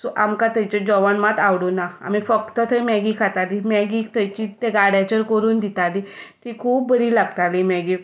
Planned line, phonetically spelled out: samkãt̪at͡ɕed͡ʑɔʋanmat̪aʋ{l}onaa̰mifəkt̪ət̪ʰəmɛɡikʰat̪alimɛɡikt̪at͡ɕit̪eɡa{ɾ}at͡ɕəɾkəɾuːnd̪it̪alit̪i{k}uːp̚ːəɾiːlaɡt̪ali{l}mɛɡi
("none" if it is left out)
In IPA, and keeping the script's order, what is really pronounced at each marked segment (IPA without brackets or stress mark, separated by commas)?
ɽ, ɽ, kʰ, none